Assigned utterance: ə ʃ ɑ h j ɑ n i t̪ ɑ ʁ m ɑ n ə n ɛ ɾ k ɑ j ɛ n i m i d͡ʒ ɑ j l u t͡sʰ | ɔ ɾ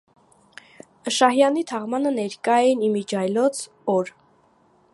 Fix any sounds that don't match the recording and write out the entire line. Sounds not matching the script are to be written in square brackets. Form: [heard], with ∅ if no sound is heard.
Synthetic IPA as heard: ə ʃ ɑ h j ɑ n i [t̪ʰ] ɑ ʁ m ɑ n ə n ɛ ɾ k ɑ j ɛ n i m i d͡ʒ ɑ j l [ɔ] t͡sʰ | ɔ ɾ